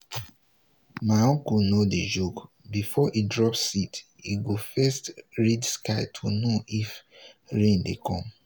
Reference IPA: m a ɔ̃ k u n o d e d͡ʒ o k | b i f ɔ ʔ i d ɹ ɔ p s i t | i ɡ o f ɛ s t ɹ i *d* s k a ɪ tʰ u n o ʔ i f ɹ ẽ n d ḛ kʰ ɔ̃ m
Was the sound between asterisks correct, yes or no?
yes